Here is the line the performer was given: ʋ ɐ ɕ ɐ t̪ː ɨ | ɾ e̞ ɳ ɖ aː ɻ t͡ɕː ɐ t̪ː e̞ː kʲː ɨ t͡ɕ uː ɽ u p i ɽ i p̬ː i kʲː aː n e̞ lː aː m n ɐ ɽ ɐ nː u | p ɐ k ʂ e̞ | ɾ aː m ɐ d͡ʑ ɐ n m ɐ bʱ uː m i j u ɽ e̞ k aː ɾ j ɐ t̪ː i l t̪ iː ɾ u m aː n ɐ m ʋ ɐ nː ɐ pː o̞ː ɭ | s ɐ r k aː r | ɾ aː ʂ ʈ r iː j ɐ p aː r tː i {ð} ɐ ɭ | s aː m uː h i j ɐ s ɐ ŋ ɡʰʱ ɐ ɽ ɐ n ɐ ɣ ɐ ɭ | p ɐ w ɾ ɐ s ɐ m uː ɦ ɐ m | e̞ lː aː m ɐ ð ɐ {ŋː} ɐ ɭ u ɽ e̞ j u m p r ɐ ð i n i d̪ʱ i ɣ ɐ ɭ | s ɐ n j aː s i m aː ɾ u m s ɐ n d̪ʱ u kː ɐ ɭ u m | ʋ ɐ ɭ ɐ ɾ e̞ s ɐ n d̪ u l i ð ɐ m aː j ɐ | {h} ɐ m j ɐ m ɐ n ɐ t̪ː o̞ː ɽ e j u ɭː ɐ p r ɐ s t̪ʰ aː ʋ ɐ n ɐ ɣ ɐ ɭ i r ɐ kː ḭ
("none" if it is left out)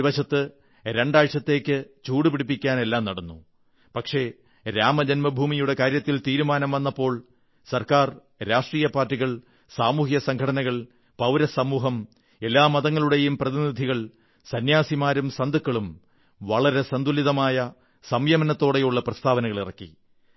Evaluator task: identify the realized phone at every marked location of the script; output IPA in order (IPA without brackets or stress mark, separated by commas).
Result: ɣ, ŋː, s